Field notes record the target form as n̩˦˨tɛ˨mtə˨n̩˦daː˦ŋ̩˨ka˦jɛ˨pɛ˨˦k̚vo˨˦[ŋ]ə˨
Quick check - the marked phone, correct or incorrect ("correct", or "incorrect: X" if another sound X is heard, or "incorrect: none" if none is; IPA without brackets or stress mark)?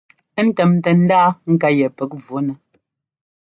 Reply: incorrect: n